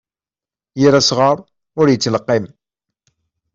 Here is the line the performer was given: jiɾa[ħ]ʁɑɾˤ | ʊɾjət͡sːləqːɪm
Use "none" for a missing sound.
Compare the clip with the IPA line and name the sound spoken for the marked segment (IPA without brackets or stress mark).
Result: s